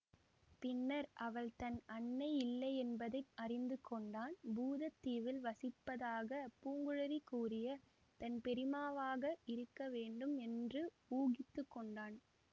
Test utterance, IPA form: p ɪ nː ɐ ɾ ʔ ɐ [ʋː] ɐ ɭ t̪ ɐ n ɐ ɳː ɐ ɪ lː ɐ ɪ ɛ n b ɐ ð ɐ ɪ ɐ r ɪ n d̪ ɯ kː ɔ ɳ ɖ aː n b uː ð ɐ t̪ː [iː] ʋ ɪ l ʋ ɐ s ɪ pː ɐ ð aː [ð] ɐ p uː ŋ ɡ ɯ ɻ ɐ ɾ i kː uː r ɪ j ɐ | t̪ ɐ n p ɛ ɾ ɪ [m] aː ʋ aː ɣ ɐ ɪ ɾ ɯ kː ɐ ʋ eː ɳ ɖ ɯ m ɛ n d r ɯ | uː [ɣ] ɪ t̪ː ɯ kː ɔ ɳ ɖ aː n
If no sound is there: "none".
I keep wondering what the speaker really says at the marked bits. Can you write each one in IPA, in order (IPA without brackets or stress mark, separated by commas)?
ʋ, iː, ɣ, m, ɣ